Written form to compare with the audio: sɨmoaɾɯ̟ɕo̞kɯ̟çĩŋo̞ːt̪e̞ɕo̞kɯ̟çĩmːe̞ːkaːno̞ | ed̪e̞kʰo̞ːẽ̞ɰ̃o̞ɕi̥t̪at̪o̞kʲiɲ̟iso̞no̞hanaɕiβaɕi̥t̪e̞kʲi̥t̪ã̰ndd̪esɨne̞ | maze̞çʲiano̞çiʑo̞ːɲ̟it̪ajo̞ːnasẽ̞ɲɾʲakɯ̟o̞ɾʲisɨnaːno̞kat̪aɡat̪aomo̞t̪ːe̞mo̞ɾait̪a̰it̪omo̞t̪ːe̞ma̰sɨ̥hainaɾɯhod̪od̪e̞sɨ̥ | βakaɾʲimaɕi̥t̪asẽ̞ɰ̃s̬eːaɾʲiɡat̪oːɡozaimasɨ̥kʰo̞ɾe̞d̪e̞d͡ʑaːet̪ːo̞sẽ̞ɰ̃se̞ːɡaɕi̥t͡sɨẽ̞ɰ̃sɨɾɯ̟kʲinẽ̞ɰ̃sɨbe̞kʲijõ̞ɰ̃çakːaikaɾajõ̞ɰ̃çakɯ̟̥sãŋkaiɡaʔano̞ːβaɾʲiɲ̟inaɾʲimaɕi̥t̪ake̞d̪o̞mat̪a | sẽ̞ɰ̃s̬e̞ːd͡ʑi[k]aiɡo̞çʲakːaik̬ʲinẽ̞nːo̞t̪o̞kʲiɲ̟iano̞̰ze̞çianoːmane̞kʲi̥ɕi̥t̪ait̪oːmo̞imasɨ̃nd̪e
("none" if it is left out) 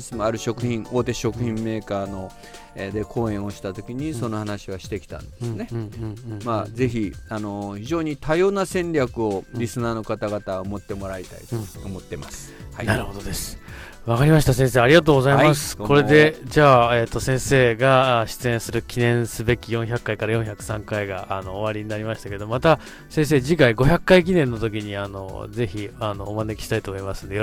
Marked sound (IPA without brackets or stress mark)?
k